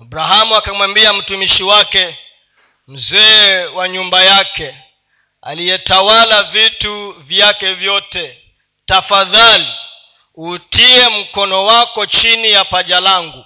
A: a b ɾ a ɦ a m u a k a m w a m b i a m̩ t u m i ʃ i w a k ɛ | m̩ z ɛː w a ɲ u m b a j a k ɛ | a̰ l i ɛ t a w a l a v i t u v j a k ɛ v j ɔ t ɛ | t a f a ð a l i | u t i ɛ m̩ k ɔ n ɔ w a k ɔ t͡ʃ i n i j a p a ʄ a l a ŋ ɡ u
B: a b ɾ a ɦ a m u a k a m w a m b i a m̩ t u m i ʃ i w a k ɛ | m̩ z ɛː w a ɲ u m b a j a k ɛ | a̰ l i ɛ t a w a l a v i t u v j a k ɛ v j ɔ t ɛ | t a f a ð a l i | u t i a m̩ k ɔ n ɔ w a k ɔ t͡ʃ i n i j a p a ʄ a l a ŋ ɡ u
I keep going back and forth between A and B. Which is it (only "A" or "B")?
A